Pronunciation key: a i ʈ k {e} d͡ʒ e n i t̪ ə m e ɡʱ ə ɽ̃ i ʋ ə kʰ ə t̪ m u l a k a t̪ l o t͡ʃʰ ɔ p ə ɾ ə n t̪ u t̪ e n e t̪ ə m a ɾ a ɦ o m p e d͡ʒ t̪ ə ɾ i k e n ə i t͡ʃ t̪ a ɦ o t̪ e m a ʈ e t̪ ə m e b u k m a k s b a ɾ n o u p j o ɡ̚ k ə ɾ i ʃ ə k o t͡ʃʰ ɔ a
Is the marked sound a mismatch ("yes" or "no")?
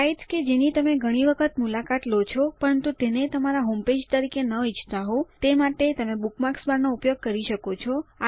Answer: no